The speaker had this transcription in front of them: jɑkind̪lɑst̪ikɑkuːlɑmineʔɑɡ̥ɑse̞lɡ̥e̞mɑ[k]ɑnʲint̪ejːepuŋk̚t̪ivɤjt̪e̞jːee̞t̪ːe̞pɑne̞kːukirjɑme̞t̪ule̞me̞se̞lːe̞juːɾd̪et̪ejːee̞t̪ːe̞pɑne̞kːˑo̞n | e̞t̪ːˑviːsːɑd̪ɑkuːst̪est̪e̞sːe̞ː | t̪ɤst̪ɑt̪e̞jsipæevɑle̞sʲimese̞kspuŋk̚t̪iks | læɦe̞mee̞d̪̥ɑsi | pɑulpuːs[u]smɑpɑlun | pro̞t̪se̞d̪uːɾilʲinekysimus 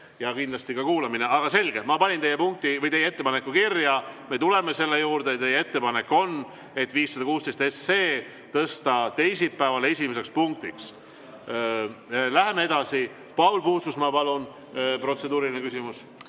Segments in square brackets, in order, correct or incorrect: incorrect: p, correct

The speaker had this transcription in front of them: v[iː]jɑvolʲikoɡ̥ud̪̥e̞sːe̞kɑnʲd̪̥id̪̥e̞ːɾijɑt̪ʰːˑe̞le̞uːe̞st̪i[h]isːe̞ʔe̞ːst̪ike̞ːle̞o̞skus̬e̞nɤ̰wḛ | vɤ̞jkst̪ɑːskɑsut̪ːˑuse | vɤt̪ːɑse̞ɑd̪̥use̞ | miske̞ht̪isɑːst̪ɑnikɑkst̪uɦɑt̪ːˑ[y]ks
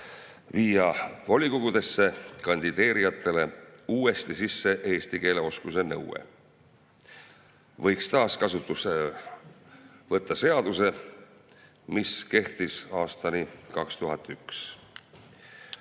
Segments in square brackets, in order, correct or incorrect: correct, incorrect: s, correct

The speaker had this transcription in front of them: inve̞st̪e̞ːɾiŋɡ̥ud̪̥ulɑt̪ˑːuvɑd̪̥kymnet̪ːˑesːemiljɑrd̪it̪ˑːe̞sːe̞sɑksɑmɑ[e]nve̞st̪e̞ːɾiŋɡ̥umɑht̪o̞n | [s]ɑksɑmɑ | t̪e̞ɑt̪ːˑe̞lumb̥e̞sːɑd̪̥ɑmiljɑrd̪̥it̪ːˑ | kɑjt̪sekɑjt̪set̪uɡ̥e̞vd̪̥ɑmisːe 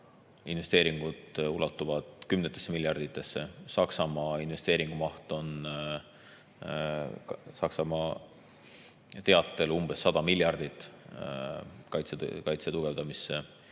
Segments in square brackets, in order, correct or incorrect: incorrect: i, correct

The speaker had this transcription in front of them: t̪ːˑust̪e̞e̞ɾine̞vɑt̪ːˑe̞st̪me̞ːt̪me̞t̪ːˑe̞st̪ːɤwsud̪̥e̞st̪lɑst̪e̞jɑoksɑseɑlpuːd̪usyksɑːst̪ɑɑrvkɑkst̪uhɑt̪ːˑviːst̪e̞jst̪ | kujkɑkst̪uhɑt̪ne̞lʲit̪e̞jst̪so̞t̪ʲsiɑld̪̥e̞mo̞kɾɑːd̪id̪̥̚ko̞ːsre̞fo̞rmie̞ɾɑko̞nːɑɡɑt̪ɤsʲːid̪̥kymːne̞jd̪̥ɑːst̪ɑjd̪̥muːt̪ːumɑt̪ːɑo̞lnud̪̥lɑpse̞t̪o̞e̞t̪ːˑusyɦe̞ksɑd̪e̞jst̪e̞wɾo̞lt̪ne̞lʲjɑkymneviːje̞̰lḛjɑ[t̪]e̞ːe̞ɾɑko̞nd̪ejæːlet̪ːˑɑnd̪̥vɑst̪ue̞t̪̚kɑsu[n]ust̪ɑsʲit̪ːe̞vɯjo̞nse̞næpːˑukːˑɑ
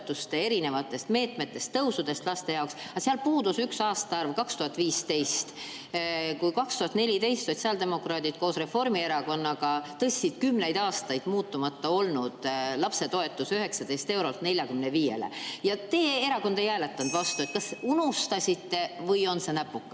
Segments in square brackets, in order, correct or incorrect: correct, correct

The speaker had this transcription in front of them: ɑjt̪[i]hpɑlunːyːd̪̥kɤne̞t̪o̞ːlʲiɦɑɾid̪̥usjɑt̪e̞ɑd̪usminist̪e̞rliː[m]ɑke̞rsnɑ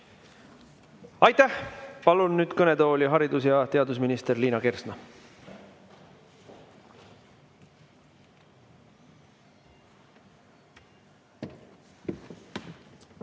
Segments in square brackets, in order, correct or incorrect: incorrect: æ, incorrect: n

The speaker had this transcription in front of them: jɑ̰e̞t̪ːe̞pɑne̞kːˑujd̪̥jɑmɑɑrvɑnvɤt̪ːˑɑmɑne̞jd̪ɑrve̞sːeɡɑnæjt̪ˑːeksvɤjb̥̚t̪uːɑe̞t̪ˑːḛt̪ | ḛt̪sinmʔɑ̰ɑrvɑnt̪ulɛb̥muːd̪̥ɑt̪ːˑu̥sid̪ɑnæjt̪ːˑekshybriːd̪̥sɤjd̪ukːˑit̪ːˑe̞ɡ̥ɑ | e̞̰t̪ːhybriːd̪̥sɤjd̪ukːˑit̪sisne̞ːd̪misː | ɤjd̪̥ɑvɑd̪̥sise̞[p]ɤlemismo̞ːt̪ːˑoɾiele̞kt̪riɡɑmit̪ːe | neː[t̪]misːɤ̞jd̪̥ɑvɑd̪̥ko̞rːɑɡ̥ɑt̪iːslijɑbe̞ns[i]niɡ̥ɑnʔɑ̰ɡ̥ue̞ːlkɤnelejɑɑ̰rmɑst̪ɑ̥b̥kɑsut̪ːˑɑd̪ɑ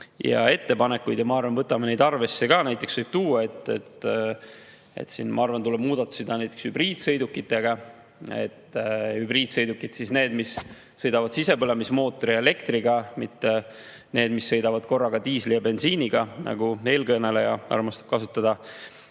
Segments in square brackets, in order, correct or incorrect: correct, incorrect: d̪, incorrect: iː

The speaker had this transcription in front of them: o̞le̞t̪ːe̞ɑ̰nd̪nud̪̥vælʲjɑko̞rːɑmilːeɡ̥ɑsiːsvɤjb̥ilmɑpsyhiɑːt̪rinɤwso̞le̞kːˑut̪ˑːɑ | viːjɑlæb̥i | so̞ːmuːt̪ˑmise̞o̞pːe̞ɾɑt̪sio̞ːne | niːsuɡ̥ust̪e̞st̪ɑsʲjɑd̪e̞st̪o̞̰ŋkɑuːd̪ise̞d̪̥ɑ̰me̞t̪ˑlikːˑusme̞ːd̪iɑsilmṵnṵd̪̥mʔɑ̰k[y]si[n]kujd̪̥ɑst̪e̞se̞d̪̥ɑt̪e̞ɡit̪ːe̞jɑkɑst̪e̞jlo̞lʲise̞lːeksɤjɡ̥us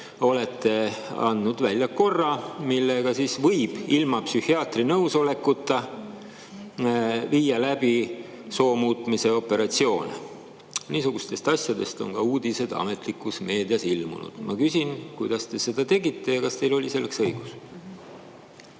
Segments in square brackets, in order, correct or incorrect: correct, correct

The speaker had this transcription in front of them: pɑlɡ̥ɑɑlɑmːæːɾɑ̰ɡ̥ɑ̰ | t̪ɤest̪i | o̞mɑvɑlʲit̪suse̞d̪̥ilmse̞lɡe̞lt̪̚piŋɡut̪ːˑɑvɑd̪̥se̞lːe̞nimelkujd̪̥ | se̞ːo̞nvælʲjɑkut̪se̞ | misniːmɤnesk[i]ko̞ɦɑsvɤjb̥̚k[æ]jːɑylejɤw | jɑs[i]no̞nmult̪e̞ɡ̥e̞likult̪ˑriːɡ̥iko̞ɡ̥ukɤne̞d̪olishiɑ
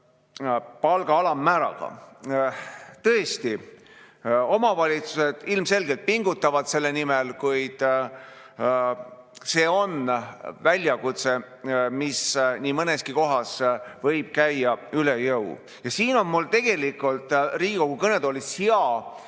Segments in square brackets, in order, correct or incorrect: correct, correct, incorrect: iː

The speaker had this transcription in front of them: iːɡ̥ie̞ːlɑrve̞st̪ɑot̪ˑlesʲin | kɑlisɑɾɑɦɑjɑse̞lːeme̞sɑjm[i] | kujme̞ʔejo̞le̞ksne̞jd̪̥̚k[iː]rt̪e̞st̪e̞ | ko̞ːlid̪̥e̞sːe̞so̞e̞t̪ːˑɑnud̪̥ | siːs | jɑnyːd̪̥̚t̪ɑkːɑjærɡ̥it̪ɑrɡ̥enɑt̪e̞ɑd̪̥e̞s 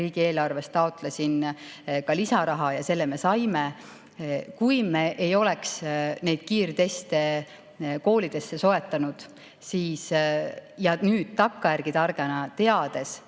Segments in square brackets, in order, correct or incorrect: incorrect: e, correct

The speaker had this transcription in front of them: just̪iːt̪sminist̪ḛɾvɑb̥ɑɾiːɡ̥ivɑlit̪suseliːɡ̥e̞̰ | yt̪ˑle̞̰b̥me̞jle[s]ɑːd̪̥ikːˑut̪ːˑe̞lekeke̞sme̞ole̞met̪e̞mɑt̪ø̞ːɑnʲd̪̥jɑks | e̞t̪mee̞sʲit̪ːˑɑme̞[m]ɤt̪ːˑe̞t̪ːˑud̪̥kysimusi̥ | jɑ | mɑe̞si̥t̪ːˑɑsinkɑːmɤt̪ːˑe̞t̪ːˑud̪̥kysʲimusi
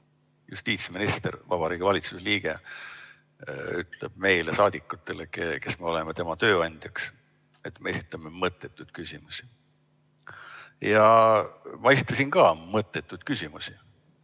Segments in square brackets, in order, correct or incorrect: correct, correct

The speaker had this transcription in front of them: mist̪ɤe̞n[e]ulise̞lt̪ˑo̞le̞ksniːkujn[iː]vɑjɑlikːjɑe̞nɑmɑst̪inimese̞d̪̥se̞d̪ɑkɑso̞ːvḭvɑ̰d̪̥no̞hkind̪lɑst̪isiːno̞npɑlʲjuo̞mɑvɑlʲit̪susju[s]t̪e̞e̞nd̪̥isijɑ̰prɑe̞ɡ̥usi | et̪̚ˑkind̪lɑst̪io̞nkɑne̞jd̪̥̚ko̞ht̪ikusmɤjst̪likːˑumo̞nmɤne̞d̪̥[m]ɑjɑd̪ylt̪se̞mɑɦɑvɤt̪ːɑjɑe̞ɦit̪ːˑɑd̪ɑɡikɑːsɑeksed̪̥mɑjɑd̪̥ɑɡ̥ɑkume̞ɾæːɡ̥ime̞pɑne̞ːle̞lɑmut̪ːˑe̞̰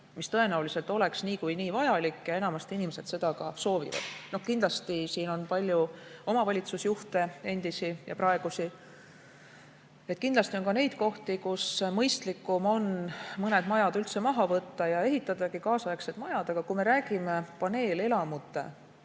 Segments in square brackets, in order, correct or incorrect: incorrect: æ, correct, incorrect: h, correct

